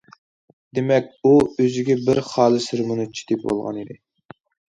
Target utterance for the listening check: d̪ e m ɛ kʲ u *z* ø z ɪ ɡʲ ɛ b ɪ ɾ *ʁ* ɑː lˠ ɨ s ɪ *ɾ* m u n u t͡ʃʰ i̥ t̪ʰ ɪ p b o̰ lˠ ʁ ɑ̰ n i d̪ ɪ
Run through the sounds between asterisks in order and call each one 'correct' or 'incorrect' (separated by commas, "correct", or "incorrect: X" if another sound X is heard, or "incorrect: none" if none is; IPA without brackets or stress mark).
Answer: incorrect: none, incorrect: χ, correct